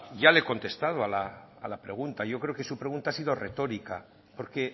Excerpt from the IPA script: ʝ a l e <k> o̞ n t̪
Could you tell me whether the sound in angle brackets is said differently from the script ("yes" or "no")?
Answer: no